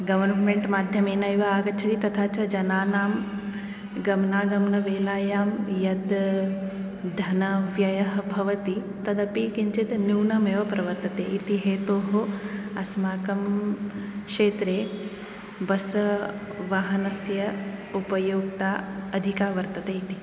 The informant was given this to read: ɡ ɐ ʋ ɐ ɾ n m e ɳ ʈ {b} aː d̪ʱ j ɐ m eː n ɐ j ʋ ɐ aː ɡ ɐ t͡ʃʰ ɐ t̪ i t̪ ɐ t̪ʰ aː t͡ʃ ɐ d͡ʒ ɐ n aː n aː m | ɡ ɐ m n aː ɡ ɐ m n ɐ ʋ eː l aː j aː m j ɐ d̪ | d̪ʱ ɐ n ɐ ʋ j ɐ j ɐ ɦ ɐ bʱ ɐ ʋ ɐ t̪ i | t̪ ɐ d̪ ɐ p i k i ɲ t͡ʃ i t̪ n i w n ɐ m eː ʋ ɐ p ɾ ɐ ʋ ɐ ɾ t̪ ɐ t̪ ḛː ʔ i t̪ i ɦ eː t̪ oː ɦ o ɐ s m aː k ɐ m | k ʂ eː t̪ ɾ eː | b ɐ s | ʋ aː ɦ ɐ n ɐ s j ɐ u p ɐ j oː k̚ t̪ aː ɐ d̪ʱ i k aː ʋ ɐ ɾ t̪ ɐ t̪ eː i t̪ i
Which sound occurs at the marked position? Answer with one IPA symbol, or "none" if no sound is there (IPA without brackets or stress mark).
m